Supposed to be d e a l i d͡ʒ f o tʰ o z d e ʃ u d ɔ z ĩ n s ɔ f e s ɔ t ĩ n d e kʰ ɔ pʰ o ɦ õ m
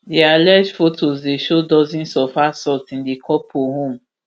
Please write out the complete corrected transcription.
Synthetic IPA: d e a l ɛ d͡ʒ f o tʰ o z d e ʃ o d ɔ z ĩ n s ɔ f a s ɔ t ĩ n d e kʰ ɔ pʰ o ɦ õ m